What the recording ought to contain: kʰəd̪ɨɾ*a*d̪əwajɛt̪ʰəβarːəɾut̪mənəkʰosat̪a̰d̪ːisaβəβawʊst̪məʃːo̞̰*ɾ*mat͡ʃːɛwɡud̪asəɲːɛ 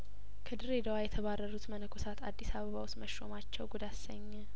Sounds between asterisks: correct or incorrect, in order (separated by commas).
incorrect, incorrect